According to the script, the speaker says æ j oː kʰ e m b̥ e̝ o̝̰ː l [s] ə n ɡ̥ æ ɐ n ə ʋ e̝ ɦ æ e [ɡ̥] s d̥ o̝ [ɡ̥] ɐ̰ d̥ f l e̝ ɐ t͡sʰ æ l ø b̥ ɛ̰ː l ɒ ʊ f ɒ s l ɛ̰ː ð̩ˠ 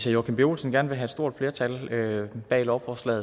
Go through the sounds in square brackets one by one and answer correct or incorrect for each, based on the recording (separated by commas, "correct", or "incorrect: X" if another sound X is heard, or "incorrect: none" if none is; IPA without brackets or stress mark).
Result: correct, incorrect: d̥, incorrect: none